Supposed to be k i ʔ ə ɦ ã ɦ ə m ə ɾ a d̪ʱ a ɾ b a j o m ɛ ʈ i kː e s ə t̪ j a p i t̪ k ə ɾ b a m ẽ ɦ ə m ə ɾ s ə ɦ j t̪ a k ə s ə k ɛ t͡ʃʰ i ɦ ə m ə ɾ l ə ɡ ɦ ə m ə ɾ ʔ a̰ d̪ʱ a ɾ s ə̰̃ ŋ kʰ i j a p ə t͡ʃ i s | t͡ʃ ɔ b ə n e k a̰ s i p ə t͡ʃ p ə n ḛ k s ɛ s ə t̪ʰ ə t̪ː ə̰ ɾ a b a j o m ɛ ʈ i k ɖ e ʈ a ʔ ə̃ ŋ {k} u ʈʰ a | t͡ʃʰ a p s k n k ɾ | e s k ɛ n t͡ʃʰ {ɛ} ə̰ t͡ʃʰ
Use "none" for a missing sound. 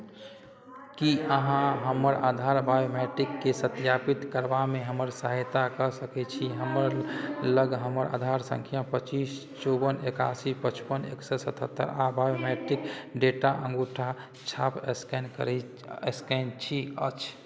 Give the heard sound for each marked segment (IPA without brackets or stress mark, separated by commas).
ɡ, i